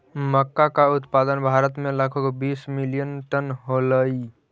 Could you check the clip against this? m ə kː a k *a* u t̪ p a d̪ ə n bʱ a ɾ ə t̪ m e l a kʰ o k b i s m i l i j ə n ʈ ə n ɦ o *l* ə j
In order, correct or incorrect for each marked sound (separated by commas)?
correct, correct